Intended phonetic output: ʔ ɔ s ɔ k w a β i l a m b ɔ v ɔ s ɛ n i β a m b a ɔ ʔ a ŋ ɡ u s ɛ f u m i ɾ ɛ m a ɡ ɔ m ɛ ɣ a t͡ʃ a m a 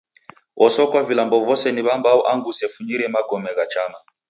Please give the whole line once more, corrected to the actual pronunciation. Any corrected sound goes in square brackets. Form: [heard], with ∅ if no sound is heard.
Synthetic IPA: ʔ ɔ s ɔ k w a [v] i l a m b ɔ v ɔ s ɛ n i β a m b a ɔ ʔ a ŋ ɡ u s ɛ f u [ɲ] i ɾ ɛ m a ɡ ɔ m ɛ ɣ a t͡ʃ a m a